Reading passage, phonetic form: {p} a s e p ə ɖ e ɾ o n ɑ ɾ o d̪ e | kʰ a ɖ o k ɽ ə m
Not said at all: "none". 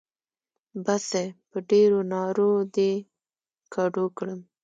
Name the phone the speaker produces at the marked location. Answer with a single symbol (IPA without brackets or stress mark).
b